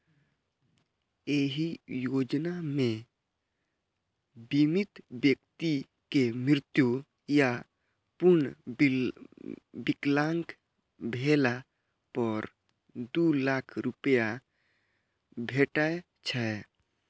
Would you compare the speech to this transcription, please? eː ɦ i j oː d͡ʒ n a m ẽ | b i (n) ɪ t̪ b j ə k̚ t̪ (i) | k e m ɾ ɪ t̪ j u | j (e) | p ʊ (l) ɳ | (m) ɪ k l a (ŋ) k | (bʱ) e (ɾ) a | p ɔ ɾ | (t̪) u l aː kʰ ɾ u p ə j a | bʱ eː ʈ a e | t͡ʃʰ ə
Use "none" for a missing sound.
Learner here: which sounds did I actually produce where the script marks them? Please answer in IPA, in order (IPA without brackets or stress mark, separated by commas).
m, i, a, ɾ, b, ŋ, bʱ, l, d̪